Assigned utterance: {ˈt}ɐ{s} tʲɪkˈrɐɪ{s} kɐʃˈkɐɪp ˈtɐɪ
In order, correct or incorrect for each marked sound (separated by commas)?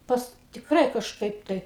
incorrect, correct, incorrect